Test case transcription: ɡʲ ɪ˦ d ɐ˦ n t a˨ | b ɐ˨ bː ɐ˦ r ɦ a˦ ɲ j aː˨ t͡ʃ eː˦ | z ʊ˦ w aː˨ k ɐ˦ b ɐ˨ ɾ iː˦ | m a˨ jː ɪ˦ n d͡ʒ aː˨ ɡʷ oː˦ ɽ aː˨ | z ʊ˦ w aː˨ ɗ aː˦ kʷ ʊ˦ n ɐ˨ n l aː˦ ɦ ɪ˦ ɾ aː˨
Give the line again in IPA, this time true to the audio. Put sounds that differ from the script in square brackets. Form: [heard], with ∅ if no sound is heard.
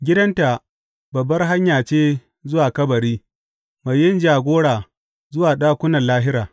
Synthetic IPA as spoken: ɡʲ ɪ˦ d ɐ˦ n t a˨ | b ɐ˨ bː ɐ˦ r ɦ a˦ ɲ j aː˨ t͡ʃ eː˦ | z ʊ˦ w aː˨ k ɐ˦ b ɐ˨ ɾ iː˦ | m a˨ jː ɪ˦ n d͡ʒ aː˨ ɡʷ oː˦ ɽ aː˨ | z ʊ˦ w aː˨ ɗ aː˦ kʷ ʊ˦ n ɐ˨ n l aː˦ ɦ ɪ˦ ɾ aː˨

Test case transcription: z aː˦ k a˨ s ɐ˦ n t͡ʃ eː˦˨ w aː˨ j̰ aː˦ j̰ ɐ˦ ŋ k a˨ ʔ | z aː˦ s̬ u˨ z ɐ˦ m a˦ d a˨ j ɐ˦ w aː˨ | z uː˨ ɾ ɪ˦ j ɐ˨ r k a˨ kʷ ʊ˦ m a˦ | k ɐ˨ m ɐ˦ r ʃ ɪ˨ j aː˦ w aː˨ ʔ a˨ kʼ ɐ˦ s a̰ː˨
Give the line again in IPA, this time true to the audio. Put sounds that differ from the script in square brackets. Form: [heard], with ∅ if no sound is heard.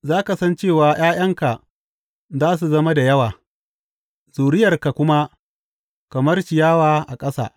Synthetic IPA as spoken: z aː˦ k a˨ s ɐ˦ n t͡ʃ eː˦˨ w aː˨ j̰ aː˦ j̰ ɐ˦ ŋ k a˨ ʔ | z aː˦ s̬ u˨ z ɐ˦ m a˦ d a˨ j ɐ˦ w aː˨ | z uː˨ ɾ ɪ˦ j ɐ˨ r k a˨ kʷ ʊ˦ m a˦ | k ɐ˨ m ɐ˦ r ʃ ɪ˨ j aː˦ w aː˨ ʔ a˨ kʼ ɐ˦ s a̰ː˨

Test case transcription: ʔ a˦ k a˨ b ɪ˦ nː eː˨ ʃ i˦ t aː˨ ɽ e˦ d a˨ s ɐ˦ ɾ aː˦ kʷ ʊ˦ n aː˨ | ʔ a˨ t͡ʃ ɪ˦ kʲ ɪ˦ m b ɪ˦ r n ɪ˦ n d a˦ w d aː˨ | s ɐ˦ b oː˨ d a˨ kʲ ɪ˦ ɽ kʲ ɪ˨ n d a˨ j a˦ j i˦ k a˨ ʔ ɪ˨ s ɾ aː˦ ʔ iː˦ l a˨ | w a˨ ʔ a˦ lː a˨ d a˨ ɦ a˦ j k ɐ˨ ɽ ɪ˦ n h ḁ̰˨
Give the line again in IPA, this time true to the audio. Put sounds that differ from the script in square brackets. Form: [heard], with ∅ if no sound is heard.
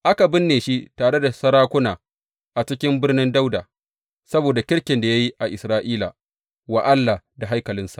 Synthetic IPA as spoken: ʔ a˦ k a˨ b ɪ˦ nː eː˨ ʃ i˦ t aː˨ ɽ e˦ d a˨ s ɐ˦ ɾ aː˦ kʷ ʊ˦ n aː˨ | ʔ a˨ t͡ʃ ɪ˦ kʲ ɪ˦ m b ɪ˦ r n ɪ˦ n d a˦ w d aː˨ | s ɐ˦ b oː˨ d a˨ kʲ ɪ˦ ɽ kʲ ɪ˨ n d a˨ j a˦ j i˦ [ʔ] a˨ ʔ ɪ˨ s ɾ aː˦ ʔ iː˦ l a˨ | w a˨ ʔ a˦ lː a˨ d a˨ ɦ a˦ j k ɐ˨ [l] ɪ˦ n [s] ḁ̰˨

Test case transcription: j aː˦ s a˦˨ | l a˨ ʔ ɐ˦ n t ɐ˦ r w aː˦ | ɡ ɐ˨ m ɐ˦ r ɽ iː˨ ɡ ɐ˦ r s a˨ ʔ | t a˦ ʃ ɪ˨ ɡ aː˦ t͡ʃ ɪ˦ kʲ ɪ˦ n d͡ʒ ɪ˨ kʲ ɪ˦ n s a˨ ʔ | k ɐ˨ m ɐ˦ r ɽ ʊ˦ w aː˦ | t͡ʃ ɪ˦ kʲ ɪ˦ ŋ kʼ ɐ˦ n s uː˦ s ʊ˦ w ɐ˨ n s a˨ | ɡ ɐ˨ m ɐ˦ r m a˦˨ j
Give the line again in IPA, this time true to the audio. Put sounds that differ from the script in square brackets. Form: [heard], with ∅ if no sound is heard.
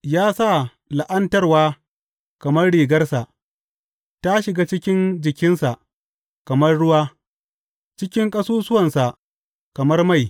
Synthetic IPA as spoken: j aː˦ s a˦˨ | l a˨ ʔ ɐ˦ n t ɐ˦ r w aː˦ | [k] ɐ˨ m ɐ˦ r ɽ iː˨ ɡ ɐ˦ r s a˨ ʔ | t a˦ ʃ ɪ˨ ɡ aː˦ t͡ʃ ɪ˦ kʲ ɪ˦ n d͡ʒ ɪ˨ kʲ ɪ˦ n s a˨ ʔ | k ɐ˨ m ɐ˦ r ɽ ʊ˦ w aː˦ | t͡ʃ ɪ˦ kʲ ɪ˦ ŋ kʼ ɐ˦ [∅] s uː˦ s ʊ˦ w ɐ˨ n s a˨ | [k] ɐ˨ m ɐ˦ r m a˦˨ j

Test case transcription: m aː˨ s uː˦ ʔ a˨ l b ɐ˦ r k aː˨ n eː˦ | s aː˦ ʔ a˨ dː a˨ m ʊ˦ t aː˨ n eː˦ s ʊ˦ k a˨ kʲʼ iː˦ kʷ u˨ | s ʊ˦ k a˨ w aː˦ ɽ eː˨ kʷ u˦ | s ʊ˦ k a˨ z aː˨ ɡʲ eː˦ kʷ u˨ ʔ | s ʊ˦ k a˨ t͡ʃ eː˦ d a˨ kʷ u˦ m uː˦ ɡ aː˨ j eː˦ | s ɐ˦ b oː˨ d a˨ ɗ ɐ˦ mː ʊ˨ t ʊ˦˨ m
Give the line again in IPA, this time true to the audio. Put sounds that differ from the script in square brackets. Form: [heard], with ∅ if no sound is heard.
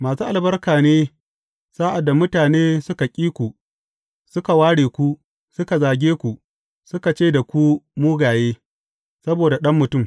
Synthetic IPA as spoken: m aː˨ s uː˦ ʔ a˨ l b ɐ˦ r k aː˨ n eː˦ | s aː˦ ʔ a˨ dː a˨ m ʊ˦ t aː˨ n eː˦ s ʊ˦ k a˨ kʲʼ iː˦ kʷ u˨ | s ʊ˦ k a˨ w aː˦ ɽ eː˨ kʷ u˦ | s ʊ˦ k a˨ z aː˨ ɡʲ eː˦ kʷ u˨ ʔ | s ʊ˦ k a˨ t͡ʃ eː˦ d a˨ kʷ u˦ m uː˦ ɡ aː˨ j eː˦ | s ɐ˦ b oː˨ d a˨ ɗ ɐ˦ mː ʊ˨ t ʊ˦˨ m

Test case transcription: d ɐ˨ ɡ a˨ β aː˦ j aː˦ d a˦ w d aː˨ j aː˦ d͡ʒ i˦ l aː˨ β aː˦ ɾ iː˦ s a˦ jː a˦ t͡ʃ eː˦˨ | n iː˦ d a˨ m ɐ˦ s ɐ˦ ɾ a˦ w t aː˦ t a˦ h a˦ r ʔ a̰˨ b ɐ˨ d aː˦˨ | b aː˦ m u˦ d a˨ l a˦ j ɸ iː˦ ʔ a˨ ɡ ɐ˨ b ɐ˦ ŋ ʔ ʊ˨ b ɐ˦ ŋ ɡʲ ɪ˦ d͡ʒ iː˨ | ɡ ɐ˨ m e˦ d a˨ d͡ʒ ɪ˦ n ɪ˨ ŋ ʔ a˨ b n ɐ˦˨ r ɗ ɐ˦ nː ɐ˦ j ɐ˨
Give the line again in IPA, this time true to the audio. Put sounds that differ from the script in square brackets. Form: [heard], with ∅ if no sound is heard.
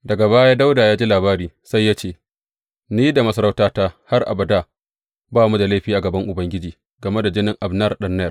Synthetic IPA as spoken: d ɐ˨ ɡ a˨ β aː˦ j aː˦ d a˦ w d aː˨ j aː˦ d͡ʒ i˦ l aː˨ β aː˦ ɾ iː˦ s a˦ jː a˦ t͡ʃ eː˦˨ | n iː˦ d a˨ m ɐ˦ s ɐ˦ ɾ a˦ w t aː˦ t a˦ h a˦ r ʔ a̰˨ b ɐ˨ d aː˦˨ | b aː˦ m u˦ d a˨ l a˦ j ɸ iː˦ ʔ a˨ ɡ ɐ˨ b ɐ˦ ŋ ʔ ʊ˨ b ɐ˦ ŋ ɡʲ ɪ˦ d͡ʒ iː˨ | ɡ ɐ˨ m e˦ d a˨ d͡ʒ ɪ˦ n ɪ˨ ŋ ʔ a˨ b n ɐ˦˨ r ɗ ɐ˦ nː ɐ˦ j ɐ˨

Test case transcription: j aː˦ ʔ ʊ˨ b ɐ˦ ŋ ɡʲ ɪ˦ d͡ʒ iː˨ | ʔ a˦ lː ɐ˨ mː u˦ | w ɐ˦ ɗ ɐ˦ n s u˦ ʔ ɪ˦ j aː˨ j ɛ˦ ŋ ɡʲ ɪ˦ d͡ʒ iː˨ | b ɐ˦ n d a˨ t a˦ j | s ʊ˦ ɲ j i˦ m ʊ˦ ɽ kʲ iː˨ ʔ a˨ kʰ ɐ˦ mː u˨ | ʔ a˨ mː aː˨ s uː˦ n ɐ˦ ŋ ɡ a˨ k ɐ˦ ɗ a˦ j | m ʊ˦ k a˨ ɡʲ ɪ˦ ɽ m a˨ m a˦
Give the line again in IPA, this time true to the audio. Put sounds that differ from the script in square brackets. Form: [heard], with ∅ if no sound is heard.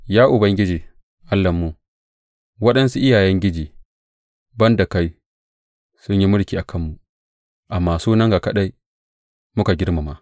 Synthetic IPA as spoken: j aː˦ ʔ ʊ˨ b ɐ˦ ŋ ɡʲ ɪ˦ d͡ʒ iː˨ | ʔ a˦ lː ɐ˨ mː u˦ | w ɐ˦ ɗ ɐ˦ n s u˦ ʔ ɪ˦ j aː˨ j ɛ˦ ŋ ɡʲ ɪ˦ d͡ʒ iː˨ | b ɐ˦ n d a˨ [k] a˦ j | s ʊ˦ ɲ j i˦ m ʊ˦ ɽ kʲ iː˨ ʔ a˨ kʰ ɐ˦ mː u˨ | ʔ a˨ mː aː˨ s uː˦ n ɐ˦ ŋ ɡ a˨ k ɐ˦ ɗ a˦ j | m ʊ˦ k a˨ ɡʲ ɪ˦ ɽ m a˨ m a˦

